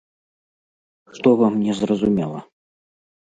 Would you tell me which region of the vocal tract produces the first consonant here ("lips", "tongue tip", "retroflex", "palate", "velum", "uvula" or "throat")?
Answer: retroflex